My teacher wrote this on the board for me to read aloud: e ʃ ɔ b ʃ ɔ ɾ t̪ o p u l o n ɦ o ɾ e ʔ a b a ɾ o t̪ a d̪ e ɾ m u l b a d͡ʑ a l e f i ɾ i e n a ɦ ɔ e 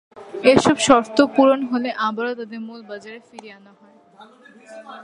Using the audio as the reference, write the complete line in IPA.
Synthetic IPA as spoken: e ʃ ɔ b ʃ ɔ ɾ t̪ o p u ɾ o n ɦ o l e ʔ a b a ɾ o t̪ a d̪ e ɾ m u l b a d͡ʑ a ɾ e f i ɾ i a n a ɦ ɔ e